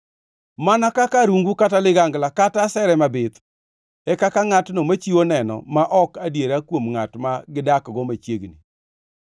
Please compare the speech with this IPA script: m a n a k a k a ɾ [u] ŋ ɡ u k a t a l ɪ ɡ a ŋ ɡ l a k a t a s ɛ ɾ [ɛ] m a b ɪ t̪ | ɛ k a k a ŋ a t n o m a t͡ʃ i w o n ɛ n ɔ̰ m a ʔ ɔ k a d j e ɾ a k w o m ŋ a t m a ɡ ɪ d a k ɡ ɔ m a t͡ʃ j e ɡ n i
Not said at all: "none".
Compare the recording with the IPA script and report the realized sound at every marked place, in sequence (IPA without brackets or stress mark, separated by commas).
u, ɛ